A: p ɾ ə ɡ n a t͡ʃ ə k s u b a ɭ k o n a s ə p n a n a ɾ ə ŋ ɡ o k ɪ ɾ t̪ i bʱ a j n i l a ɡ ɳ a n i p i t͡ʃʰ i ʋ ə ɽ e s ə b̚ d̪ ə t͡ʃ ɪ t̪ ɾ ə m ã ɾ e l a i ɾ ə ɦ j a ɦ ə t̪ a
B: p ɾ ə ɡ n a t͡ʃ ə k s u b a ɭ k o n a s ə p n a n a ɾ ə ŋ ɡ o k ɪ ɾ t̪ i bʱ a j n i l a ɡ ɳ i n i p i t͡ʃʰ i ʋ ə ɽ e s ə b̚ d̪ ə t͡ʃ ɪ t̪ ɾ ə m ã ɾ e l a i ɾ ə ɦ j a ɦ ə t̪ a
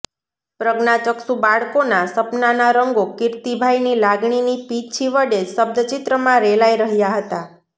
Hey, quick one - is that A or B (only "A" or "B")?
B